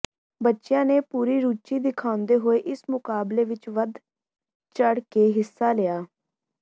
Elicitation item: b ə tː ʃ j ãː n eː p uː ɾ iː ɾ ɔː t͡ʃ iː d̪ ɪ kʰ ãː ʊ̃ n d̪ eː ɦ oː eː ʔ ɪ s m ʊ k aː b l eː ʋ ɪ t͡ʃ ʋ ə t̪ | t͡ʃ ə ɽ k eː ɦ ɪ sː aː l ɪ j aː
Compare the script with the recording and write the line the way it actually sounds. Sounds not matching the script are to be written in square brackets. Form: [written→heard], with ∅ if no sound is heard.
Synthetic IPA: b ə tː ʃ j ãː n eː p uː ɾ iː ɾ [ɔː→uː] t͡ʃ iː d̪ ɪ kʰ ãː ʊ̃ n d̪ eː ɦ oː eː ʔ ɪ s m ʊ k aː b l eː ʋ ɪ t͡ʃ ʋ ə [t̪→d̪] | t͡ʃ ə ɽ k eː ɦ ɪ sː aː l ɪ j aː